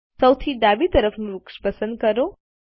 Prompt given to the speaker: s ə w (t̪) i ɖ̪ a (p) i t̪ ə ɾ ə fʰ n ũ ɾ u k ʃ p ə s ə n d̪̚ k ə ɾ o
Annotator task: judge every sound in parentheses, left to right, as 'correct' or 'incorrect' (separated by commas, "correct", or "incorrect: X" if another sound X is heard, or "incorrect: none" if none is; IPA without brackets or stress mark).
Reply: incorrect: t̪ʰ, incorrect: b